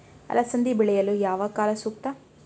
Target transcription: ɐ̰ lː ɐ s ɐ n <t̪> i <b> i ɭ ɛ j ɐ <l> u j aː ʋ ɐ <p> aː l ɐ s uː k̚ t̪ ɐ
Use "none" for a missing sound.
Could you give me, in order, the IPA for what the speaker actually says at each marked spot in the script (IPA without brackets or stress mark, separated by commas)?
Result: d̪, b, l, k